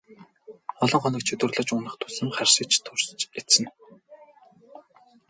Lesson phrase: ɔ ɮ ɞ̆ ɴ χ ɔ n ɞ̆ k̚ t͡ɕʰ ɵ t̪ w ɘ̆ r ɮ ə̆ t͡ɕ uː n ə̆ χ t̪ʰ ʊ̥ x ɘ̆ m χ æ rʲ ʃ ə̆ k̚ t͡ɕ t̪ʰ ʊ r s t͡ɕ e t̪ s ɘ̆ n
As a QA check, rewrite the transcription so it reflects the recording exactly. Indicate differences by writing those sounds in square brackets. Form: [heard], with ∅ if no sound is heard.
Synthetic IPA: ɔ ɮ ɞ̆ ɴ χ ɔ n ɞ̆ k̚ t͡ɕʰ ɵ t̪ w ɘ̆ r ɮ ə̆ t͡ɕ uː n ə̆ χ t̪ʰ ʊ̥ [s] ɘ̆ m χ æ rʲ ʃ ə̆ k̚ t͡ɕ t̪ʰ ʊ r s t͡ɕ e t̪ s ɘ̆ n

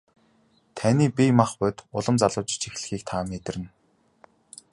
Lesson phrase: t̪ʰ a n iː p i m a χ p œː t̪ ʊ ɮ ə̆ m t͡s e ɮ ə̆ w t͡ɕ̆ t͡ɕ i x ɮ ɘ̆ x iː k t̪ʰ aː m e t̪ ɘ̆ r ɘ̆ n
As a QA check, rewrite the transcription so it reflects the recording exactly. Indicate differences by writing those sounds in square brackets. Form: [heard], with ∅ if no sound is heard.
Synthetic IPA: t̪ʰ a n iː p i m a χ p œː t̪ ʊ ɮ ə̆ m t͡s [a] ɮ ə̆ w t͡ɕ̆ t͡ɕ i x ɮ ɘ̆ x iː k t̪ʰ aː m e t̪ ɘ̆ r ɘ̆ n

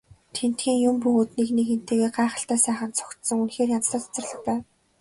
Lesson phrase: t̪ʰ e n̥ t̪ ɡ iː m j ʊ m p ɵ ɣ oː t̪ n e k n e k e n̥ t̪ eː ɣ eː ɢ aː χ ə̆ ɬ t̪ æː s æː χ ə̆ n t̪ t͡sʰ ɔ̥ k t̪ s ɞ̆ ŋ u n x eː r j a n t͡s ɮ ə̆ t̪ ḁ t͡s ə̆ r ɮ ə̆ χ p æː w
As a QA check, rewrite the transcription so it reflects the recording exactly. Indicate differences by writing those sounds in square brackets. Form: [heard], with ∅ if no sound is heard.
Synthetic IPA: t̪ʰ e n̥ t̪ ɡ iː [ŋ] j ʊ m p ɵ ɣ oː t̪ n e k n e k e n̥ t̪ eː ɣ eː ɢ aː χ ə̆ ɬ t̪ æː s æː χ ə̆ n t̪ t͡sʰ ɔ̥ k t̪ s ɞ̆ ŋ u n x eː r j a n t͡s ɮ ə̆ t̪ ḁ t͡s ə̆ r ɮ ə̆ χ p æː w

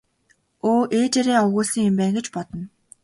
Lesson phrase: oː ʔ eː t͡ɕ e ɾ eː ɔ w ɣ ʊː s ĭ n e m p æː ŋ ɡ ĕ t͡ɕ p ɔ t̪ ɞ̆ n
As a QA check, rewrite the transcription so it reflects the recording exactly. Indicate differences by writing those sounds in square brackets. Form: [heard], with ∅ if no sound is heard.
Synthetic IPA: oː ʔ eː t͡ɕ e ɾ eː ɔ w ɣ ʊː s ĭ [ŋ] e m p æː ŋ ɡ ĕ t͡ɕ p ɔ t̪ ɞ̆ n

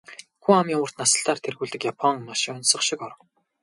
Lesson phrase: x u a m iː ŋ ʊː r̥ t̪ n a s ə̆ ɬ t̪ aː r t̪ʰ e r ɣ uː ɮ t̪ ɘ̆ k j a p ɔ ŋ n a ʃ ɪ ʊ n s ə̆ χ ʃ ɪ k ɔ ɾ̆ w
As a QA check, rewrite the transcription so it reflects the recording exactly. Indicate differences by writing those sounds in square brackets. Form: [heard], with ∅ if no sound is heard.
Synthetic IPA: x u a m iː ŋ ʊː r̥ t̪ n a s ə̆ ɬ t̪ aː r t̪ʰ e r ɣ uː ɮ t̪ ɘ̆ k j a [pʰ] ɔ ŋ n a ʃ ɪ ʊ n s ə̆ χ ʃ ɪ k ɔ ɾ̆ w

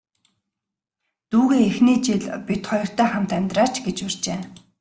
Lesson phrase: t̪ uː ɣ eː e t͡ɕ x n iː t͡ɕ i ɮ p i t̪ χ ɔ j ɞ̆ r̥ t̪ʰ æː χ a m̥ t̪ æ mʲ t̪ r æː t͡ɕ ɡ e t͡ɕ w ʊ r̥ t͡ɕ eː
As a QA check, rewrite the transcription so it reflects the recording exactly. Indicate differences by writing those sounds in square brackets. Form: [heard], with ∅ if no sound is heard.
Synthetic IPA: t̪ uː ɣ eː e [∅] x n iː t͡ɕ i ɮ p i t̪ χ ɔ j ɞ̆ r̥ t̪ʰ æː χ a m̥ t̪ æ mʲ t̪ r [aː] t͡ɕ ɡ e t͡ɕ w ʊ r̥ t͡ɕ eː

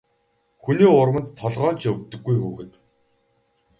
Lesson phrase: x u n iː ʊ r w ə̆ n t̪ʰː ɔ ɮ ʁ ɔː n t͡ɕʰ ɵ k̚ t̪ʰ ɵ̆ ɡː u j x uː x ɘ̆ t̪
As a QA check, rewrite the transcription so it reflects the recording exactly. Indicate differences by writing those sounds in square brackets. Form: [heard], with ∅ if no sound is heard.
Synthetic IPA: x u n iː ʊ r w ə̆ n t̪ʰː ɔ ɮ ʁ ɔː n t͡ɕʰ ɵ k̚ [t̪] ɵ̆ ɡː u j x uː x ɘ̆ t̪

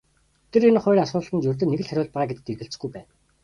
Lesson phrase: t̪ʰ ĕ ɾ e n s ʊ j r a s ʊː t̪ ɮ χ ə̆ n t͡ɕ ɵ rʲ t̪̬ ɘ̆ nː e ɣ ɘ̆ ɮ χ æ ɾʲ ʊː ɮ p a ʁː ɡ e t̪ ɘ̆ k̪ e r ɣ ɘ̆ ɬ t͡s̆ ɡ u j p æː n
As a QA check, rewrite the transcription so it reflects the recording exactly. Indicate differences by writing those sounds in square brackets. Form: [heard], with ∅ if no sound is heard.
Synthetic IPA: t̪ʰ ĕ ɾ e n [χ] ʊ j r a s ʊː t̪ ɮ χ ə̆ n t͡ɕ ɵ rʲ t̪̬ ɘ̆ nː e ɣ ɘ̆ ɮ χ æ ɾʲ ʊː ɮ p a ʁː ɡ e t̪ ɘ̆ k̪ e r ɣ ɘ̆ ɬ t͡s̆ ɡ u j p æː n

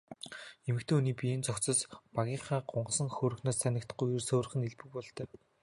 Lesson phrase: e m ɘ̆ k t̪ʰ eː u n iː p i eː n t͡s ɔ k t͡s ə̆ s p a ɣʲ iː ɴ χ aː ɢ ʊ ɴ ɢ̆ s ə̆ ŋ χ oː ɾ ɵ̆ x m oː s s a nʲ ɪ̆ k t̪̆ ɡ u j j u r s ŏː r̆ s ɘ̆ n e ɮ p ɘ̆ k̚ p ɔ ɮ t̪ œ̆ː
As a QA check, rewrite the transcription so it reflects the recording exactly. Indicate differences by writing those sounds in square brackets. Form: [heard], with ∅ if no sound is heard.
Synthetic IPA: e m ɘ̆ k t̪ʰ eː u n iː p i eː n t͡s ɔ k t͡s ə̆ s p a ɣʲ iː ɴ χ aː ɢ ʊ ɴ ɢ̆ s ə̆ ŋ [x] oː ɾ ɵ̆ x [n] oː s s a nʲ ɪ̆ k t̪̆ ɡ u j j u r s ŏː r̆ [χ] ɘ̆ n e ɮ p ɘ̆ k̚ p ɔ ɮ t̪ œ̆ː

